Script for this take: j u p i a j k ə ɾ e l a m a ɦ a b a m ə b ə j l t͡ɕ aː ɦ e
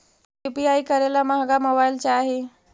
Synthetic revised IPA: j u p i a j k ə ɾ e l a m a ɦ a ɡ a m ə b a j l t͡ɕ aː ɦ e

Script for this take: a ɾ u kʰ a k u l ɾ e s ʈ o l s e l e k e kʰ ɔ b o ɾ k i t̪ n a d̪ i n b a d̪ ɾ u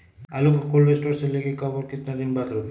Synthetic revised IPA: a l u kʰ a k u l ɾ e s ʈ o ɾ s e l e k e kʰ ɔ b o ɾ k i t̪ n a d̪ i n b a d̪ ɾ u

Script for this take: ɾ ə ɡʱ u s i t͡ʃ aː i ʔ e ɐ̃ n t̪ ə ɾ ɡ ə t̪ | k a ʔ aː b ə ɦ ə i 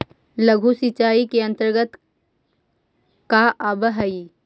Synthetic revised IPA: l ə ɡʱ u s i t͡ʃ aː i k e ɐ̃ n t̪ ə ɾ ɡ ə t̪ | k a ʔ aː b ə ɦ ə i

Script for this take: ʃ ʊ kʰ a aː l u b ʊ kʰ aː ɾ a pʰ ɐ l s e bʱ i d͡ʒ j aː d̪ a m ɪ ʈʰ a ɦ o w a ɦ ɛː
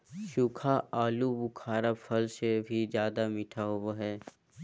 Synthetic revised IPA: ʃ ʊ kʰ a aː l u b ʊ kʰ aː ɾ a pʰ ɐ l s e bʱ i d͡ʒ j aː d̪ a m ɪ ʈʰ a ɦ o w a ɦ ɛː

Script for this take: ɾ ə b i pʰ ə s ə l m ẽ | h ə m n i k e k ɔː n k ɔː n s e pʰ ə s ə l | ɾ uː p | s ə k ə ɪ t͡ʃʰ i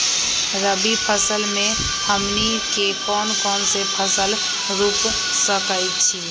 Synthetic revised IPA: ɾ ə b i pʰ ə s ə l m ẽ | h ə m n i k e k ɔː n k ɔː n s e pʰ ə s ə l | ɾ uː p | s ə k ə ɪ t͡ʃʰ i

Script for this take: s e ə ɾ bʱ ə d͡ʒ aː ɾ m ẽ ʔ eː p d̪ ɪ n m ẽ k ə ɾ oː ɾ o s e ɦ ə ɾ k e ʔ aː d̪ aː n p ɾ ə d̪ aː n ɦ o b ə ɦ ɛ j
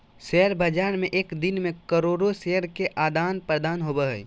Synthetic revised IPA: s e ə ɾ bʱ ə d͡ʒ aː ɾ m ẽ ʔ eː k d̪ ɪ n m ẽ k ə ɾ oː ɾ o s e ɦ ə ɾ k e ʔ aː d̪ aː n p ɾ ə d̪ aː n ɦ o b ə ɦ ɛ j

